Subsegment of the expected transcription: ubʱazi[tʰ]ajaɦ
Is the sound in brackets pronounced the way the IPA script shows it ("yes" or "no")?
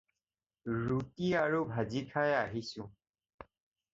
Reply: no